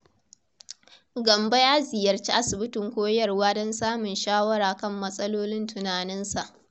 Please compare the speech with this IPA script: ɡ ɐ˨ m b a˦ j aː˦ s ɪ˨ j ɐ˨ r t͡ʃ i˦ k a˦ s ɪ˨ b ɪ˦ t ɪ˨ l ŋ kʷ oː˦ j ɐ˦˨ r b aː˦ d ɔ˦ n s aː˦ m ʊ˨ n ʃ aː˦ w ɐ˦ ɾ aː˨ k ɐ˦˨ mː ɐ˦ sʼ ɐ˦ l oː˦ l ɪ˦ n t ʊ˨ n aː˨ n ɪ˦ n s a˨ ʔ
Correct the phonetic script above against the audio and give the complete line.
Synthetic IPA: ɡ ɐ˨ m b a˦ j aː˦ z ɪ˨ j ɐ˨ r t͡ʃ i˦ ʔ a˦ s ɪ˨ b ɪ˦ t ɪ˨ ŋ kʷ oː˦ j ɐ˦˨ r w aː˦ d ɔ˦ n s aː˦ m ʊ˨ n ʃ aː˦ w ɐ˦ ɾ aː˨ k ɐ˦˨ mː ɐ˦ sʼ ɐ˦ l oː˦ l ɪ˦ n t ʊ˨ n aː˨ n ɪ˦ n s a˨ ʔ